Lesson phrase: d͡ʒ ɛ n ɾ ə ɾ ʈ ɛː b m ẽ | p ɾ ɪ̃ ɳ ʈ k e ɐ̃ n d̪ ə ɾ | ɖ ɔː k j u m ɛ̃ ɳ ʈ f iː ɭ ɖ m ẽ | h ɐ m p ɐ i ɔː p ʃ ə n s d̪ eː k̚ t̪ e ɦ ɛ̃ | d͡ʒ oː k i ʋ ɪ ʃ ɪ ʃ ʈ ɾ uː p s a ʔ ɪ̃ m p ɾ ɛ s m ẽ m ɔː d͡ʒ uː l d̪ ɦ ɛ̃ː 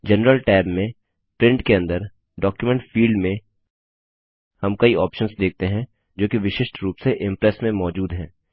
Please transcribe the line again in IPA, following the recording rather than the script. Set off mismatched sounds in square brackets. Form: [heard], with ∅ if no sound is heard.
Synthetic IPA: d͡ʒ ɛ n ɾ ə [l] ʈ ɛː b m ẽ | p ɾ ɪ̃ ɳ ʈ k e ɐ̃ n d̪ ə ɾ | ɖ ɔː k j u m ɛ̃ ɳ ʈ f iː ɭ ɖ m ẽ | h ɐ m [k] ɐ i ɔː p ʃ ə n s d̪ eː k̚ t̪ e ɦ ɛ̃ | d͡ʒ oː k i ʋ ɪ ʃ ɪ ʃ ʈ ɾ uː p s [e] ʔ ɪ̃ m p ɾ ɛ s m ẽ m ɔː d͡ʒ uː [∅] d̪ ɦ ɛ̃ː

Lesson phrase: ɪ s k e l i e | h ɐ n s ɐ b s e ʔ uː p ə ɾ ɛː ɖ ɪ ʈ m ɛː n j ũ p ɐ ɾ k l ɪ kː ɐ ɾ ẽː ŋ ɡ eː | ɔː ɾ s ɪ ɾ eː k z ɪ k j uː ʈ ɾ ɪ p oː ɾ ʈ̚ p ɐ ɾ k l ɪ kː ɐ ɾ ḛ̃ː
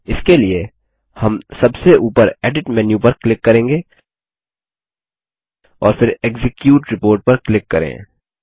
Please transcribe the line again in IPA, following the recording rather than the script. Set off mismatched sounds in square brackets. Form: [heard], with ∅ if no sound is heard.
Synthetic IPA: ɪ s k e l i e | h ɐ [m] s ɐ b s e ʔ uː p ə ɾ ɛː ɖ ɪ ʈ m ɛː n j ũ p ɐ ɾ k l ɪ kː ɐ ɾ ẽː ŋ ɡ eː | ɔː ɾ [f] ɪ ɾ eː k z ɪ k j uː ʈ ɾ ɪ p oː ɾ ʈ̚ p ɐ ɾ k l ɪ kː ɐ ɾ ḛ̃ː

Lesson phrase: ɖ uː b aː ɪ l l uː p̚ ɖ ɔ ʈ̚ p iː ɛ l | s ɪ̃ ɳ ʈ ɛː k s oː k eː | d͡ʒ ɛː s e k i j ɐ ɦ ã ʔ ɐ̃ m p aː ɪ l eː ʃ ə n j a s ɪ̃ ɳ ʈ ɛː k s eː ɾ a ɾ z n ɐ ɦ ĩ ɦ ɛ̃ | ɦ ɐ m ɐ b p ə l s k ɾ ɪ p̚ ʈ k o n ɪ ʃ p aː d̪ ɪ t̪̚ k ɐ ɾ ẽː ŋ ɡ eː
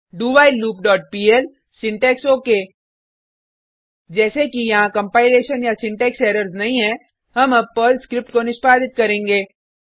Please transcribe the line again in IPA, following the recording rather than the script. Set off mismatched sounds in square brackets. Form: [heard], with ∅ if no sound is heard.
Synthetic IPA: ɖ uː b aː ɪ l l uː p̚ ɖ [ɔː] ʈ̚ p iː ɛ l | s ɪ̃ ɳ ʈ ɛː k s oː k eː | d͡ʒ ɛː s e k i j ɐ ɦ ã [k] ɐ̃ m p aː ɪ l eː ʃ ə n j a s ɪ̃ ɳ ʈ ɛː k s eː ɾ [ə] ɾ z n ɐ ɦ ĩ ɦ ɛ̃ | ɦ ɐ m ɐ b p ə l s k ɾ ɪ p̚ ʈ k o n ɪ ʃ p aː d̪ ɪ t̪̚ k ɐ ɾ ẽː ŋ ɡ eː

